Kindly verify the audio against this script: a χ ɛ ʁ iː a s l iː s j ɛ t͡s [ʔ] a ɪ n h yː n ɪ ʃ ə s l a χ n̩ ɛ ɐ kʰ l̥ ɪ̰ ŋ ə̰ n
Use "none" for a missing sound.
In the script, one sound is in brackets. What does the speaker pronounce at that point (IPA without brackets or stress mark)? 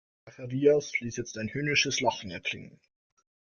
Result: t